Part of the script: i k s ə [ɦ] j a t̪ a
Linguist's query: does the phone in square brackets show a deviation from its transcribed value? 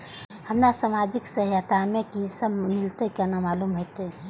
no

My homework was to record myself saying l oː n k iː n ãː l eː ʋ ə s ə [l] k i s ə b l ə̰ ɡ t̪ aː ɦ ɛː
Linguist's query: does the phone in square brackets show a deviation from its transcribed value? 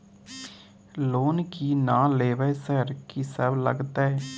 yes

